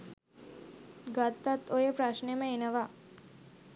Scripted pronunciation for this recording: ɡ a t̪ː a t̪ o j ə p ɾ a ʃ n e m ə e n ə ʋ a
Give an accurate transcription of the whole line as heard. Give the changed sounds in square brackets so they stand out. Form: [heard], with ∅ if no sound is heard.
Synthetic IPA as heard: ɡ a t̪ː a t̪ o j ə p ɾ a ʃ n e m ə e n ə ʋ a